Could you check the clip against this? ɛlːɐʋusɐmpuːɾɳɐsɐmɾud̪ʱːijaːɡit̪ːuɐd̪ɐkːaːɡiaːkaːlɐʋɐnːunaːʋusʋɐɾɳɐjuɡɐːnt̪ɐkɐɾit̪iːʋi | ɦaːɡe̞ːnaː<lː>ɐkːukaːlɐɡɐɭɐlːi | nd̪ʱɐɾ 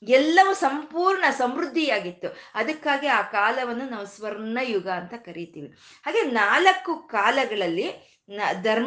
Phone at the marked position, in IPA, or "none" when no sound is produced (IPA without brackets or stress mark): l